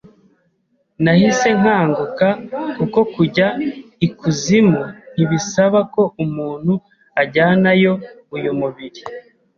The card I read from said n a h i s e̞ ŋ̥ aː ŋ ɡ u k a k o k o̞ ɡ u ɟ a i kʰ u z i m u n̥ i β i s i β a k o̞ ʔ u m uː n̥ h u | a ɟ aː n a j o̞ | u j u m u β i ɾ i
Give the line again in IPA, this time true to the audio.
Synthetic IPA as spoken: n a h i s e̞ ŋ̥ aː ŋ ɡ u k a k u k o̞ k u ɟ a i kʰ u z i m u n̥ i β i s a β a k o̞ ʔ u m uː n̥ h u | a ɟ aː n a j o̞ | u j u m u β i ɾ i